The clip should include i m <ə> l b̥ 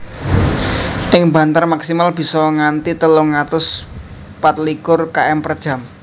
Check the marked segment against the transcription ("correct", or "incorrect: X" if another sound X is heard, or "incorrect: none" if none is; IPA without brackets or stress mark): incorrect: a